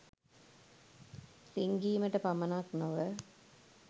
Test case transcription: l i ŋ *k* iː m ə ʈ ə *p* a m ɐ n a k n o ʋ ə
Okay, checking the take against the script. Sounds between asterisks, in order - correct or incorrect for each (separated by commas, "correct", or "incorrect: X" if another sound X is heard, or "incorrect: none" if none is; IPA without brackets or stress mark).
incorrect: ɡ, correct